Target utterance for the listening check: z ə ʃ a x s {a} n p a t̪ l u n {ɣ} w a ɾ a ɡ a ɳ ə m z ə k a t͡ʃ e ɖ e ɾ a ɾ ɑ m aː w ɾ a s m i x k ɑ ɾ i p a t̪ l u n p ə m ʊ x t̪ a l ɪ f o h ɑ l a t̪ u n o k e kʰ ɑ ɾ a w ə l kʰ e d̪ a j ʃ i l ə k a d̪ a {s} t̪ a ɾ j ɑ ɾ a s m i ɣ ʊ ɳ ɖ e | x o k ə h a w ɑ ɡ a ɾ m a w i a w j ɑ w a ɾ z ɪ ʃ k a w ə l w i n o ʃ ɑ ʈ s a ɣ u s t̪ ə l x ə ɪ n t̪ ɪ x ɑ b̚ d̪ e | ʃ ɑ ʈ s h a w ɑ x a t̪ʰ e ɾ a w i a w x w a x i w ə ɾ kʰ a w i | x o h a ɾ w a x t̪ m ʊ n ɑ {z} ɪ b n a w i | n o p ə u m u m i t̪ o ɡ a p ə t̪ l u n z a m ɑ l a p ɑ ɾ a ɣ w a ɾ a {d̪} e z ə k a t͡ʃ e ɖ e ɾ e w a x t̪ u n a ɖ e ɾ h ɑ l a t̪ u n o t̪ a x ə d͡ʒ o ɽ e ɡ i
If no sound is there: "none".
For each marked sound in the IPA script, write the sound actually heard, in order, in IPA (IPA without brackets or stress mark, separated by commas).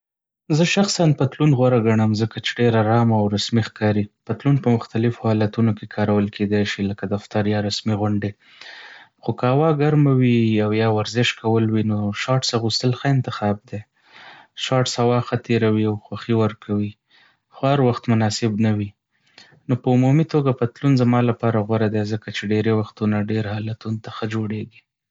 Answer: a, ɣ, f, s, d̪